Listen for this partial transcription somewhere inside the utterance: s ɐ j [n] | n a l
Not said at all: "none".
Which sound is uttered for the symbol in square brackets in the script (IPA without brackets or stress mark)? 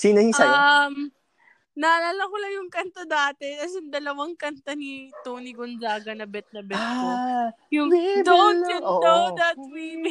m